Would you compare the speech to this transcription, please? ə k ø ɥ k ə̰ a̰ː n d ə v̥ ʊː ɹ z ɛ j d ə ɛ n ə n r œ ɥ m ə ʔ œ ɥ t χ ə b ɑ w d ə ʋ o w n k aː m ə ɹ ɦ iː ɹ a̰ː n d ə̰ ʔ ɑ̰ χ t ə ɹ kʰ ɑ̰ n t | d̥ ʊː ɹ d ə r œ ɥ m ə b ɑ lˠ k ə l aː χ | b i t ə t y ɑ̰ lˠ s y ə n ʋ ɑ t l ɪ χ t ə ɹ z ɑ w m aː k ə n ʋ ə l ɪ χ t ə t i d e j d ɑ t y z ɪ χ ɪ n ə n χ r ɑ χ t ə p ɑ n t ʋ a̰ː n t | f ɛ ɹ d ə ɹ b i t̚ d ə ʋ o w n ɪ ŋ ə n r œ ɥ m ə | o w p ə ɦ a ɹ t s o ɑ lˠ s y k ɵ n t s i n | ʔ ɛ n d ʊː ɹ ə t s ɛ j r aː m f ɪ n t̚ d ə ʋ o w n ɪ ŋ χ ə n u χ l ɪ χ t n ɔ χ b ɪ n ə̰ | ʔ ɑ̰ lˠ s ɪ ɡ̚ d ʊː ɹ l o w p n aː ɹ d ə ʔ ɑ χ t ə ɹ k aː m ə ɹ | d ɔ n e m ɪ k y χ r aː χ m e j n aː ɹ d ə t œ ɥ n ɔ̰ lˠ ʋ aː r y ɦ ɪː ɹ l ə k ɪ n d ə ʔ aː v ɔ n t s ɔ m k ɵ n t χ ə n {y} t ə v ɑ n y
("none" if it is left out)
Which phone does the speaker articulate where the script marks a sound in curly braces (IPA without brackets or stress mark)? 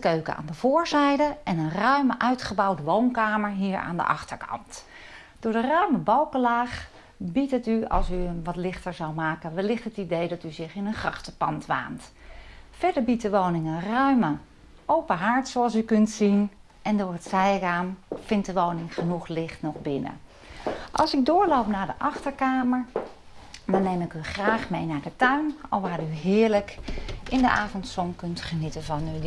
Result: i